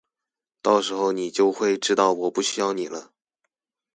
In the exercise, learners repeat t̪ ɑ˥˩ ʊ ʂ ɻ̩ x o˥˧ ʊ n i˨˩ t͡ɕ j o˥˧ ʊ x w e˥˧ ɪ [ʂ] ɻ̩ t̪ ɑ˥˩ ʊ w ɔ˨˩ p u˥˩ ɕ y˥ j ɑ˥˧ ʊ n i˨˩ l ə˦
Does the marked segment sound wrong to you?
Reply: yes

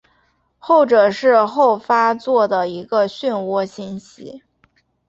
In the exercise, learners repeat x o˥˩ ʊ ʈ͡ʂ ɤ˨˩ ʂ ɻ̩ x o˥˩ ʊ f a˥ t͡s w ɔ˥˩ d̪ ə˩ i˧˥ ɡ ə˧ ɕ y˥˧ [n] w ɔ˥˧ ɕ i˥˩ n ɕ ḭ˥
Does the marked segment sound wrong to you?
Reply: no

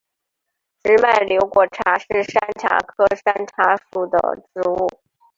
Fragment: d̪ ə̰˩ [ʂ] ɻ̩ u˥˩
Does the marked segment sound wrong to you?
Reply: yes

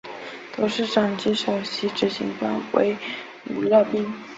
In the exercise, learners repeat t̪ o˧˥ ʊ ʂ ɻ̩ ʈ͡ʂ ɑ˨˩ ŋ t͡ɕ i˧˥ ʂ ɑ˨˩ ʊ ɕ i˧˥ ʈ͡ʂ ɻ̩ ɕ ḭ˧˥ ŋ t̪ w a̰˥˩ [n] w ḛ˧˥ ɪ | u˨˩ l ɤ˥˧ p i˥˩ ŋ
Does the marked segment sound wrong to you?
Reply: no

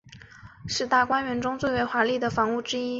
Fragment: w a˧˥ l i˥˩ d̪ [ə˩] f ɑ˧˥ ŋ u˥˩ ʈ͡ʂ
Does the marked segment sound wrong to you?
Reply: no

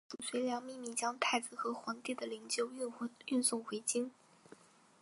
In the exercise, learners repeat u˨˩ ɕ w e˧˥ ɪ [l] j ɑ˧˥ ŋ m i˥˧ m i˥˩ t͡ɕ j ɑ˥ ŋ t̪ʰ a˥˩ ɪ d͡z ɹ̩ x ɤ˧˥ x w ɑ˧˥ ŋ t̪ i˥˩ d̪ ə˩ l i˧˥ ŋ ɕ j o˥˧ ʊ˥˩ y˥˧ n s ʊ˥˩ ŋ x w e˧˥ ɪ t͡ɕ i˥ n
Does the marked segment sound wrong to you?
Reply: no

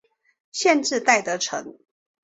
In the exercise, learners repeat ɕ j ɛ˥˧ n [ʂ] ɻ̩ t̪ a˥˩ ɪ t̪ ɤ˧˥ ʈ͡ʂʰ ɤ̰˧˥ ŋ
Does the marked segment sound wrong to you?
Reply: yes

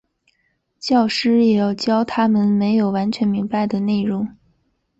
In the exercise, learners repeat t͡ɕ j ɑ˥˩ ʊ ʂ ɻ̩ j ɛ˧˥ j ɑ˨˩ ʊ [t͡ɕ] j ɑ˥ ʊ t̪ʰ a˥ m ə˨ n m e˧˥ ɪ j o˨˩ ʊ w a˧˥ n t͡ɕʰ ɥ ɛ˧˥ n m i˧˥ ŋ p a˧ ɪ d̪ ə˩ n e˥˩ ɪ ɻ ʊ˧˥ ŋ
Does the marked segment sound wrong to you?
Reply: no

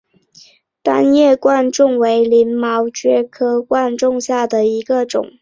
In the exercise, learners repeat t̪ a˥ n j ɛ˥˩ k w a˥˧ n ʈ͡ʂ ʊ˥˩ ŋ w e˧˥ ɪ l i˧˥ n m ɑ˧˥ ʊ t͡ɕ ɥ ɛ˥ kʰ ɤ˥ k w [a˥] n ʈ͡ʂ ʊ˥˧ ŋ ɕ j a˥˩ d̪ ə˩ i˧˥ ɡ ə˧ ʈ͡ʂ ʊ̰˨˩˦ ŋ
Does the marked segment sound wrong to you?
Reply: yes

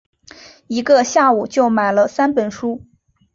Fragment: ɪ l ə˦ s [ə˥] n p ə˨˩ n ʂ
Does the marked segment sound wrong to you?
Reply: yes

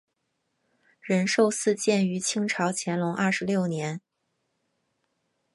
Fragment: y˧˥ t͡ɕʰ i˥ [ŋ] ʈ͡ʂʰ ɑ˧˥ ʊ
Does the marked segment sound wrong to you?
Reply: no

